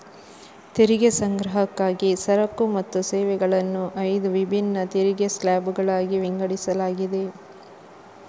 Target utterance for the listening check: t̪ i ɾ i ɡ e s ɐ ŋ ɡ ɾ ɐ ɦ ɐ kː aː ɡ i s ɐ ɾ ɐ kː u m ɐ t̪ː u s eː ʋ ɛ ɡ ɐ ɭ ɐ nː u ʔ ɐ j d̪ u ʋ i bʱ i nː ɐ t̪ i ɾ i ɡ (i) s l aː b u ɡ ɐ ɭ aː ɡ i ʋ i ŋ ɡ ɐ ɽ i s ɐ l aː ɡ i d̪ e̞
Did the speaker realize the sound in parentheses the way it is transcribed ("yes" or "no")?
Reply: no